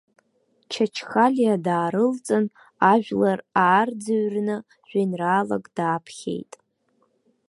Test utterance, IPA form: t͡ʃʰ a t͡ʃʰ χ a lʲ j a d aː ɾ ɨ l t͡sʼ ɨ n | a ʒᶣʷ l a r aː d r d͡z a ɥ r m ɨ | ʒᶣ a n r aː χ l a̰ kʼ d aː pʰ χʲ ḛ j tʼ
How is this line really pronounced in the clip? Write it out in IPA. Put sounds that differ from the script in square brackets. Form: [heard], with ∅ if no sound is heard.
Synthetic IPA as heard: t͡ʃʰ a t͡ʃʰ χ a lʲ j a d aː ɾ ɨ l t͡sʼ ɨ n | a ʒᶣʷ l a r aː [∅] r d͡z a ɥ r [n] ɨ | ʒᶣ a n r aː [∅] l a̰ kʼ d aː pʰ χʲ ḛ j tʼ